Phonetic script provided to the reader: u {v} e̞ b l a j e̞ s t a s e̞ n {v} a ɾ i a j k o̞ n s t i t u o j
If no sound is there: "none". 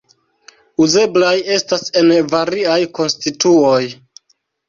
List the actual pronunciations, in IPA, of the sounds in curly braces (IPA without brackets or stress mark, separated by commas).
z, v